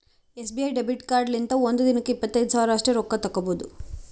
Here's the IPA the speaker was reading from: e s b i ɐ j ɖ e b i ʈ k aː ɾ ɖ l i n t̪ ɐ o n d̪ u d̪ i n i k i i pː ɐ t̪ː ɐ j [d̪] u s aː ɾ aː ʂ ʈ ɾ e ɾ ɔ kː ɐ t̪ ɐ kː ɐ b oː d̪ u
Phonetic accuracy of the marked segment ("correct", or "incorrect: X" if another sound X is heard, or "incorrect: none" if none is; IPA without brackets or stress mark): correct